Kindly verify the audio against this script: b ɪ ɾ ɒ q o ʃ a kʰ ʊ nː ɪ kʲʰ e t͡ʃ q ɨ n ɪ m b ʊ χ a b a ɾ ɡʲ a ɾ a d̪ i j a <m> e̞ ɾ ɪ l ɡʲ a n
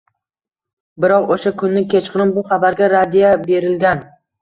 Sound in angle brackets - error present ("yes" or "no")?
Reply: yes